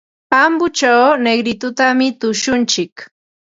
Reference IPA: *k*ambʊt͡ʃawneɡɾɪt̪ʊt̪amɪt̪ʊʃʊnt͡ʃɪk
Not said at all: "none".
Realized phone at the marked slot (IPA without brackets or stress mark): p